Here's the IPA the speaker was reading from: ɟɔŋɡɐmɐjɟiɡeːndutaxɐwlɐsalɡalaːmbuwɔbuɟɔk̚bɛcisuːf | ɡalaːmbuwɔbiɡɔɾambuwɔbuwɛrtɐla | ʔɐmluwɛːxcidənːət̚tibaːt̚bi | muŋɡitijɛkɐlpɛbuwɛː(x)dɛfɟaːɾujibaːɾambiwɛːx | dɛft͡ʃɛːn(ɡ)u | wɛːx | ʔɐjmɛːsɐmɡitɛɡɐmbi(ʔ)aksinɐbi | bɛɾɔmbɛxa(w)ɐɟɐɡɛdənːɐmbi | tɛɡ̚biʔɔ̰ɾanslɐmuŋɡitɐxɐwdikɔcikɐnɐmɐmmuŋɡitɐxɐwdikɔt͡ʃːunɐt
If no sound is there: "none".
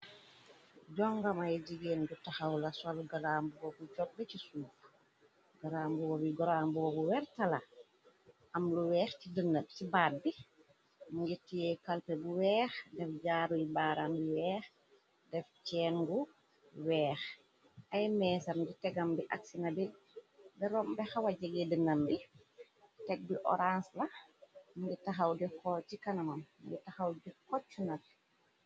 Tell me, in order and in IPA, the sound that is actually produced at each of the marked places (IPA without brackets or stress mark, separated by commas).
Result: x, ɡ, ʔ, w